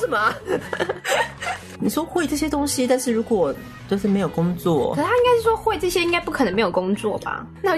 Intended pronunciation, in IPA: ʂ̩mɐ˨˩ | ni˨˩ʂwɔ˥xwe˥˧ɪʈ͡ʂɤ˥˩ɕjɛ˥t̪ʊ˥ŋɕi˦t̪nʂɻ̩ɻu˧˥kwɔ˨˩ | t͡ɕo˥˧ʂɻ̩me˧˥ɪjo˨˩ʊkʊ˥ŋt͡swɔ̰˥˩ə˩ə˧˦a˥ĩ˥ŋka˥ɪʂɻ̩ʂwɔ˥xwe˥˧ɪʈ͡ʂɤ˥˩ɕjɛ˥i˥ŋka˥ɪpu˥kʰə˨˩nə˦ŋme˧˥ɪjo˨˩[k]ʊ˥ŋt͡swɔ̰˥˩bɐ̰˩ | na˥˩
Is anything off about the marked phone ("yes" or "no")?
no